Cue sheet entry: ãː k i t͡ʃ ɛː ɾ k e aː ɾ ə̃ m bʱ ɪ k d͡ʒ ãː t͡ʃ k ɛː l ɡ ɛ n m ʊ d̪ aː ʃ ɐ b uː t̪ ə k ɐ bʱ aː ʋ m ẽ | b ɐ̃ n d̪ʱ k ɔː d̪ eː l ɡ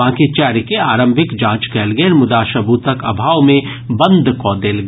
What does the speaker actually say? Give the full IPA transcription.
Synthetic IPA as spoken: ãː k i t͡ʃ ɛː ɾ k e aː ɾ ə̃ m bʱ ɪ k d͡ʒ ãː t͡ʃ k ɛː l ɡ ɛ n m ʊ d̪ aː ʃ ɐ b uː t̪ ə k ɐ bʱ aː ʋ m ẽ | b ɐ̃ n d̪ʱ k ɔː d̪ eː l ɡ